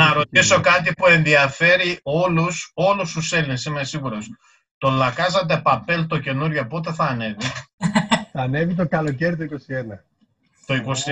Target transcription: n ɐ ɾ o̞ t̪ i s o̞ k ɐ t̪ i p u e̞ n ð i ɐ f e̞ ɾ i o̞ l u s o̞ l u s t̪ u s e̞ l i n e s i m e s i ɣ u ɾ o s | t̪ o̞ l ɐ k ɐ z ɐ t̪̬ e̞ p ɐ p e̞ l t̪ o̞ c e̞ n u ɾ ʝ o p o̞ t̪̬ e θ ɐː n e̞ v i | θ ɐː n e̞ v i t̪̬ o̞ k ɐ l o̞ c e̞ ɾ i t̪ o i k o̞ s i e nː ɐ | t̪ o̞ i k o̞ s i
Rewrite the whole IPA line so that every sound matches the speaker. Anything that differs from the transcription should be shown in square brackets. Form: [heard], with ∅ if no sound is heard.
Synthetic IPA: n ɐ ɾ o̞ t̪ i s o̞ k ɐ t̪ i p u e̞ n ð i ɐ f e̞ ɾ i o̞ l u s o̞ l u s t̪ u s e̞ l i n e s i m e s i ɣ u ɾ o s | t̪ o̞ l ɐ k ɐ z ɐ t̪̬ e̞ p ɐ p e̞ l t̪ o̞ c e̞ n u ɾ ʝ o p o̞ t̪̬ e θ ɐː n e̞ v i | θ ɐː n e̞ v i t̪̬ o̞ k ɐ l o̞ c e̞ ɾ i t̪ o i k o̞ s i e [n] ɐ | t̪ o̞ i k o̞ s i